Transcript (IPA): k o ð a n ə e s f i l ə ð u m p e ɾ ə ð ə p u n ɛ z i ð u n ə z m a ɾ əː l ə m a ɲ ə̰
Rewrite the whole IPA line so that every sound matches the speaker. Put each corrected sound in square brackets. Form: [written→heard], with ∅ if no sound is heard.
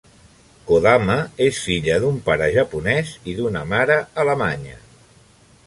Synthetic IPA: k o ð a [n→m] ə e s f i [l→ʎ] ə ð u m p [e→a] ɾ ə [ð→ʒ] ə p u n ɛ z i ð u n ə [z→∅] m a ɾ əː l ə m a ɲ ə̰